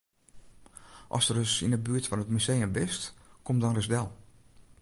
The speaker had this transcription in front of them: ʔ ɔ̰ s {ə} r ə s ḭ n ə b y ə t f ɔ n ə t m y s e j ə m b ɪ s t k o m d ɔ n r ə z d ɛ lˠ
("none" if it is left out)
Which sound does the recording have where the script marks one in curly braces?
ə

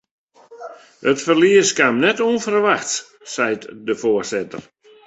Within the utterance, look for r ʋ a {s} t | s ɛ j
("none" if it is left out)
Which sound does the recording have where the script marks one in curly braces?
x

